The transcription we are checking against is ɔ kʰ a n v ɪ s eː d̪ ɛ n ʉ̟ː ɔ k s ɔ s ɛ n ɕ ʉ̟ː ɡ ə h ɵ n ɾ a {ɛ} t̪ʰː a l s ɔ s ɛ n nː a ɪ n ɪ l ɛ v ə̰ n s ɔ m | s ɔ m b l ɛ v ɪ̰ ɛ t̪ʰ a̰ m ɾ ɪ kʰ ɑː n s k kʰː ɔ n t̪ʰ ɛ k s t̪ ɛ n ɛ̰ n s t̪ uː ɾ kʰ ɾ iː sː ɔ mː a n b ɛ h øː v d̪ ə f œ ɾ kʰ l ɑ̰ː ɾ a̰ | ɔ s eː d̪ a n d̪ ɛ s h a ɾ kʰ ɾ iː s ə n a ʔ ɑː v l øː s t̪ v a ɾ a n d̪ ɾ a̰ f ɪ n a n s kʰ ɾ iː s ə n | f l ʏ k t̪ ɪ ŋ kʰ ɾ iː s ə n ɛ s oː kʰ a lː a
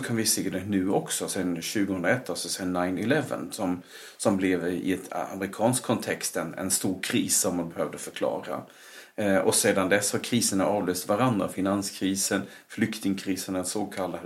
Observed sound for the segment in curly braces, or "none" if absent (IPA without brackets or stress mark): ɛ